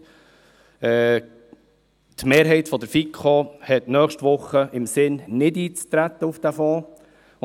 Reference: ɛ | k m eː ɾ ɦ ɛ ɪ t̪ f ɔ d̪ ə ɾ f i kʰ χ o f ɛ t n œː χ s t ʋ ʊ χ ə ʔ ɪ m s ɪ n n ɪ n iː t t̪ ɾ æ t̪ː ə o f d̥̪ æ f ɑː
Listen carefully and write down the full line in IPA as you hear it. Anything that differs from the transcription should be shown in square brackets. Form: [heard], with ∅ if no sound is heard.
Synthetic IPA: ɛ | [t] m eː ɾ ɦ ɛ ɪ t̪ f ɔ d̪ ə ɾ f i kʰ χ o [h] ɛ t n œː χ [ʃ] t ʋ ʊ χ ə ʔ ɪ m s ɪ n n ɪ [d] iː [t͡s] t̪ ɾ æ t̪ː ə [u] f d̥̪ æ f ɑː